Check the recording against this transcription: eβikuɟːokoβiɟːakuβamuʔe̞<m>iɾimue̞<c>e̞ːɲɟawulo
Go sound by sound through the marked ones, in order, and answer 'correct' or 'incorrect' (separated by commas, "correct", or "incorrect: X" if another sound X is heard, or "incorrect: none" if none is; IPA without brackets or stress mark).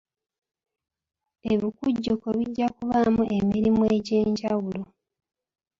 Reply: correct, incorrect: ɟ